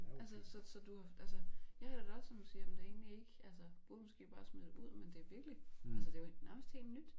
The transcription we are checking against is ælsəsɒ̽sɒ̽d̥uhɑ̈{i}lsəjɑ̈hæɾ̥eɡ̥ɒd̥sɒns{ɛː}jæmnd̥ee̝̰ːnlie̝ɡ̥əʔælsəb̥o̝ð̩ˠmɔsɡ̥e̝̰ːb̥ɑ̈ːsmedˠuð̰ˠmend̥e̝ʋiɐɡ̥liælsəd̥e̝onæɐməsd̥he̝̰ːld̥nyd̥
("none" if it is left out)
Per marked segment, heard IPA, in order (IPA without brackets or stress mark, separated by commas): æ, iː